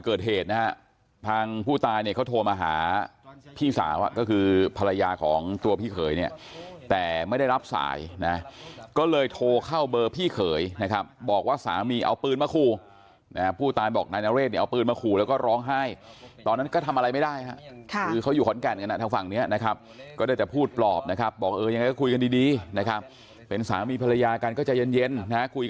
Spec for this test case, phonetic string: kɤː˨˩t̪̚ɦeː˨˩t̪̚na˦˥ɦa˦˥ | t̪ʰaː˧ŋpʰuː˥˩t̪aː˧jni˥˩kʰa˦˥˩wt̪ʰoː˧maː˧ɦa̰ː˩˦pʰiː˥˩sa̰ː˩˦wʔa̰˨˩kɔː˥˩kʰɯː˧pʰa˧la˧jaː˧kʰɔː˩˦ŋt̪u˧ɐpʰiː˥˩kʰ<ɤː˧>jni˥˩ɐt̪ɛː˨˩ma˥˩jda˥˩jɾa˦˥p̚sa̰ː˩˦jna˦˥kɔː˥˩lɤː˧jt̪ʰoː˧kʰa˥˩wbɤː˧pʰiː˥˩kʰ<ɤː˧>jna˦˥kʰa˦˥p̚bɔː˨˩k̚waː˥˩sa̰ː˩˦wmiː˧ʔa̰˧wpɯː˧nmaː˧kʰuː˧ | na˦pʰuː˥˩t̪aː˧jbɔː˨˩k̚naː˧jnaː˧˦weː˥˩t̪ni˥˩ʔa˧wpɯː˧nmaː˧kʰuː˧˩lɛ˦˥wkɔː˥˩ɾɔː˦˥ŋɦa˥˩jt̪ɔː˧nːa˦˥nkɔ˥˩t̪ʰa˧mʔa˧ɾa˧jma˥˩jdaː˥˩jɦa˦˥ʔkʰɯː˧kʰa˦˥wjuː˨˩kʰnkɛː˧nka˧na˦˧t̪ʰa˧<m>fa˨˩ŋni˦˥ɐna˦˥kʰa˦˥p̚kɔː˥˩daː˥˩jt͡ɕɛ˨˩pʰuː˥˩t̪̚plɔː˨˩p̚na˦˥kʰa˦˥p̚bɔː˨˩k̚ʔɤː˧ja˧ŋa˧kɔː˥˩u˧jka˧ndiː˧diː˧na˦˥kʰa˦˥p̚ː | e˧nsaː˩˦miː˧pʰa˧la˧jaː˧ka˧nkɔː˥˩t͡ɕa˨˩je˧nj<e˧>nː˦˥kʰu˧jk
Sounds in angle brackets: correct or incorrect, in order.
incorrect: ɤː˩˦, incorrect: ɤː˩˦, incorrect: ŋ, correct

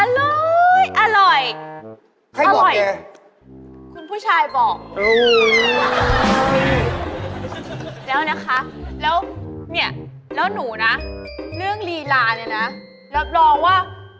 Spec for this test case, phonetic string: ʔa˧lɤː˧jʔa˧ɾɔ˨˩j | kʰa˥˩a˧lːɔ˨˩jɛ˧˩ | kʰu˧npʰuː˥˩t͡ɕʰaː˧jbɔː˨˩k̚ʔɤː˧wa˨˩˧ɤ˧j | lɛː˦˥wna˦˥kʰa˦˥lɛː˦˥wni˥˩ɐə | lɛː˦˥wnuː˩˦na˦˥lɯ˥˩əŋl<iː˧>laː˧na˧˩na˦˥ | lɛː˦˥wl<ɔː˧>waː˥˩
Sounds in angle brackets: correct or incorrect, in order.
correct, correct

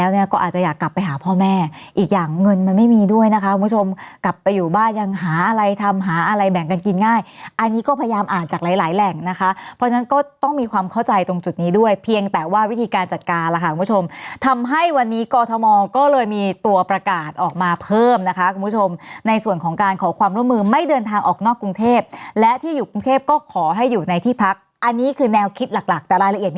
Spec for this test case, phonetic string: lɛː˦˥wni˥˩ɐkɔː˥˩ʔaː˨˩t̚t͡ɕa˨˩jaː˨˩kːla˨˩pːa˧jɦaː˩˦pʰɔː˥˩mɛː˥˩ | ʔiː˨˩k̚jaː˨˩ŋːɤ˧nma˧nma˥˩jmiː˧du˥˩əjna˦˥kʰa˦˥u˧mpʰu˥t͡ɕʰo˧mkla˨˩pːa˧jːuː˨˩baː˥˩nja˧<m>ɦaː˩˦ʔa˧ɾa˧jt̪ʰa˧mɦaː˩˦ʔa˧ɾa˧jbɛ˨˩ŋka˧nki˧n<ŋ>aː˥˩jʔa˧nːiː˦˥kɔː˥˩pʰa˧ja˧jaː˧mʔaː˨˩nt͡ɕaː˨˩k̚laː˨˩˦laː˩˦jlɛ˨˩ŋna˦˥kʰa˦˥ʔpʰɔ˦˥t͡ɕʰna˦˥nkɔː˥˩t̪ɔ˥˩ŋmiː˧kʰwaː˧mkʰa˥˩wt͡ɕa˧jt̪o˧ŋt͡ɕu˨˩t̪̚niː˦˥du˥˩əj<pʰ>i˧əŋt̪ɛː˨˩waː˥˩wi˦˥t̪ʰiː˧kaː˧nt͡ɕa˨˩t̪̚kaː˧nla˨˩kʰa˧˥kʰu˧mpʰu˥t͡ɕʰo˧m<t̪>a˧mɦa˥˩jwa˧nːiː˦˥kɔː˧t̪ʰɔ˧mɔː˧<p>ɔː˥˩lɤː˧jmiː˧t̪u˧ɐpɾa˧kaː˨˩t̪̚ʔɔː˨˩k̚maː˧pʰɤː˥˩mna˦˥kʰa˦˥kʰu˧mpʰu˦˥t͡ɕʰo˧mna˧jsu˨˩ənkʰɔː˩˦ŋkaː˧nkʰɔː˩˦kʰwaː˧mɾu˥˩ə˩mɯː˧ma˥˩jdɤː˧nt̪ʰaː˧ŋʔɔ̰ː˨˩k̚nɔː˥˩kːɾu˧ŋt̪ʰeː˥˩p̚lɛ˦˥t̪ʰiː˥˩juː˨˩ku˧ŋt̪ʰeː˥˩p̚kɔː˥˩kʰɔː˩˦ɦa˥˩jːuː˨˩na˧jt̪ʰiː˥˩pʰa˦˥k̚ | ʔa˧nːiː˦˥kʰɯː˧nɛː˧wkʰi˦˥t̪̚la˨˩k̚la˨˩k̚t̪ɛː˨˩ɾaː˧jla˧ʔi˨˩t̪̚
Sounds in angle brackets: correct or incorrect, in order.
incorrect: ŋ, correct, correct, incorrect: t̪ʰ, incorrect: k

